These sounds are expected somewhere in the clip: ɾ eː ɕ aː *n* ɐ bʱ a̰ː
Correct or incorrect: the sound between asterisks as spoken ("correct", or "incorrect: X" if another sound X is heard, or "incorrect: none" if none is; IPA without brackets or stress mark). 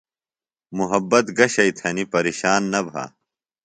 incorrect: nː